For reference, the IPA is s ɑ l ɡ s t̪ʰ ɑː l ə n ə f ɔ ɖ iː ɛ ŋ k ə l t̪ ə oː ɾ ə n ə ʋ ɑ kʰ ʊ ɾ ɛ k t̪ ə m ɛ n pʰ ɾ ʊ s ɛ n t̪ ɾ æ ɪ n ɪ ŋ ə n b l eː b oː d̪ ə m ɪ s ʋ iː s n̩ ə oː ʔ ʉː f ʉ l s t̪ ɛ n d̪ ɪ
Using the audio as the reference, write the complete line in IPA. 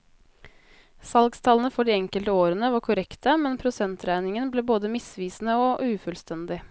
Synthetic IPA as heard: s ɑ l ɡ s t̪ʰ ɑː l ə n ə f ɔ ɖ iː ɛ ŋ k ə l t̪ ə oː ɾ ə n ə ʋ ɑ kʰ ʊ ɾ ɛ k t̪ ə m ɛ n pʰ ɾ ʊ s ɛ n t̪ ɾ æ ɪ n ɪ ŋ ə n b l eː b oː d̪ ə m ɪ s ʋ iː s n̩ ə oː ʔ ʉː f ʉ l s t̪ ɛ n d̪ ɪ